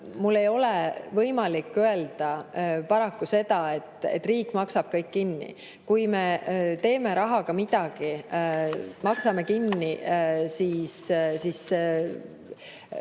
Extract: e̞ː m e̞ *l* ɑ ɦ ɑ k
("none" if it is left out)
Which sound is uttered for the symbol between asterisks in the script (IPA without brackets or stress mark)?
ɾ